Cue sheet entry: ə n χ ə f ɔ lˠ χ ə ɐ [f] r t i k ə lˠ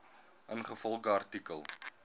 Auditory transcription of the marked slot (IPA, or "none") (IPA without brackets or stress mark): none